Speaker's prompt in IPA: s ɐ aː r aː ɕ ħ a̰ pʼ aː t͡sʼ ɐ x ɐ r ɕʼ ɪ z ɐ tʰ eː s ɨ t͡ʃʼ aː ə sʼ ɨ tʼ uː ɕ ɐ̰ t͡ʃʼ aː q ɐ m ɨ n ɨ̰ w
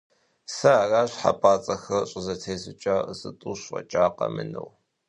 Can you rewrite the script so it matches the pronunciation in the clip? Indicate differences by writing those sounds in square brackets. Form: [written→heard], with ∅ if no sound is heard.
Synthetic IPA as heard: s ɐ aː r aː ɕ ħ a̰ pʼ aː t͡sʼ ɐ x ɐ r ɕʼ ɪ z ɐ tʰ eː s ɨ t͡ʃʼ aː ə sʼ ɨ tʼ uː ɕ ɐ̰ t͡ʃʼ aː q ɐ m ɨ n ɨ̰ w